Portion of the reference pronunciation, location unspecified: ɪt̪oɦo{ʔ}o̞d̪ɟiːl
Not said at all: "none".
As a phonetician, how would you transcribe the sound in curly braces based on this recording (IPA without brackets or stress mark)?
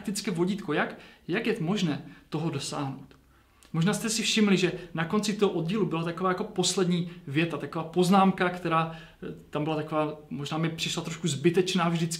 ʔ